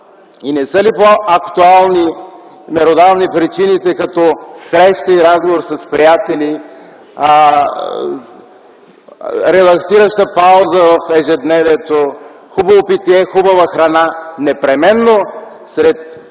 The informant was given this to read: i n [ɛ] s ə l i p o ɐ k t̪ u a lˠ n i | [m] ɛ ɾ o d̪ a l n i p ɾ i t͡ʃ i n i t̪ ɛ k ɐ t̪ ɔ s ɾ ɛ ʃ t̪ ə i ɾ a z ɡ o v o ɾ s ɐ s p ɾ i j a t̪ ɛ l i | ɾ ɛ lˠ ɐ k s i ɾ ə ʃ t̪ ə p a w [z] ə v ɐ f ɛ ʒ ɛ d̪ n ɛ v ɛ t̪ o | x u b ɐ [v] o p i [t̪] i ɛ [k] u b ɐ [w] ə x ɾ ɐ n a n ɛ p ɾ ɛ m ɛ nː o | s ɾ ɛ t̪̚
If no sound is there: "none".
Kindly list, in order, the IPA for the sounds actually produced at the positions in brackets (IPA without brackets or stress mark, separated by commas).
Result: ɛ, m, z, v, t̪, x, v